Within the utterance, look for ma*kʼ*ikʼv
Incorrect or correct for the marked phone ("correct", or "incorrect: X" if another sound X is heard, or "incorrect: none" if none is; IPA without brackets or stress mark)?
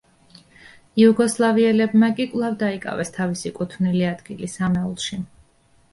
correct